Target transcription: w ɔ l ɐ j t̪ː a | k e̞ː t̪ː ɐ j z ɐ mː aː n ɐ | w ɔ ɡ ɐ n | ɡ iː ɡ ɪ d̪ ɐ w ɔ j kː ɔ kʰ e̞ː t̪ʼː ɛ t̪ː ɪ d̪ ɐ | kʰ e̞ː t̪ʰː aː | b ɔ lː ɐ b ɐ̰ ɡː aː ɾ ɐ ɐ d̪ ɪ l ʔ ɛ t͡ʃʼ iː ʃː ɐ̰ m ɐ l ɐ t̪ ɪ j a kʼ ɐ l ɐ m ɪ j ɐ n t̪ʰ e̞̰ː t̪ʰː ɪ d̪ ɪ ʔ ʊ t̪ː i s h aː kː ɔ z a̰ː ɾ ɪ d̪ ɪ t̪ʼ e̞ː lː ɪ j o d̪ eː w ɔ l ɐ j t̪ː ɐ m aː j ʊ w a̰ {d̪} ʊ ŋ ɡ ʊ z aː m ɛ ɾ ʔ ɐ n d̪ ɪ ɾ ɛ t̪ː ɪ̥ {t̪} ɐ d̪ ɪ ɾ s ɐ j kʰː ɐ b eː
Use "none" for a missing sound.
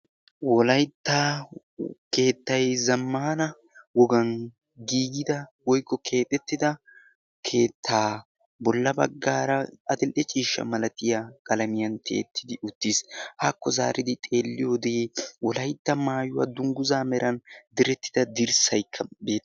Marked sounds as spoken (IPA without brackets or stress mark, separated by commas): d̪, d̪